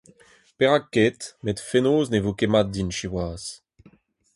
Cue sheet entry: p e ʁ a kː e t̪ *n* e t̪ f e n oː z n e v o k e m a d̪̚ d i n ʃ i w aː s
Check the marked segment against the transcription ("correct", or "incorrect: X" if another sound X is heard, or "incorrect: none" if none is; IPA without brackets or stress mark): incorrect: m